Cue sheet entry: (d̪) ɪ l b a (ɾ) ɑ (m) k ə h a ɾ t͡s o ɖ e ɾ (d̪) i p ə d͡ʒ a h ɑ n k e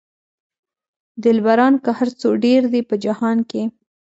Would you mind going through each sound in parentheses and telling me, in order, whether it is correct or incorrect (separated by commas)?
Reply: correct, correct, incorrect, correct